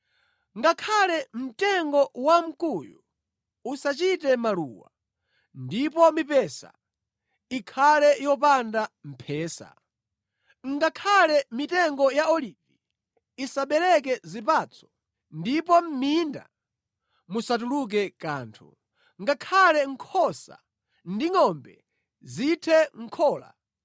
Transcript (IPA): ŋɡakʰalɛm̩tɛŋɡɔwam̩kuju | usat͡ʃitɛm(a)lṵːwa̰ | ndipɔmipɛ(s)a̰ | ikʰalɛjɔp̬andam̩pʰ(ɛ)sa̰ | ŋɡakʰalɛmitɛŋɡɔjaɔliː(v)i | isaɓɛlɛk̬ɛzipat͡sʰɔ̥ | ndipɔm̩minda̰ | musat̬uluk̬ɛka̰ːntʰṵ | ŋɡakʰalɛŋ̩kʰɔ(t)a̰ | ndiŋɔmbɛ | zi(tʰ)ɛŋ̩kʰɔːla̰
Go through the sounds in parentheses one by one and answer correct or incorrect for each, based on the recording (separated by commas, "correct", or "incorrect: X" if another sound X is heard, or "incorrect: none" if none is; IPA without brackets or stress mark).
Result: correct, correct, incorrect: ɛː, correct, incorrect: s, correct